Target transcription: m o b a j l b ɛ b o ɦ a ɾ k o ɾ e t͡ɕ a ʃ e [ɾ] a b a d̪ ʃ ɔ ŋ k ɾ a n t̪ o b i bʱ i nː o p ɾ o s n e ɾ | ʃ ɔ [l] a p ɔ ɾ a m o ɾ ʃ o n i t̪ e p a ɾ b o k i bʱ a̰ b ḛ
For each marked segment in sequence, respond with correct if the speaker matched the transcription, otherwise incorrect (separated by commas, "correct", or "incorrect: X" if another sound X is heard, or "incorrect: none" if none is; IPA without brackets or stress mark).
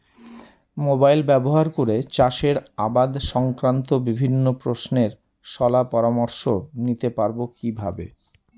correct, correct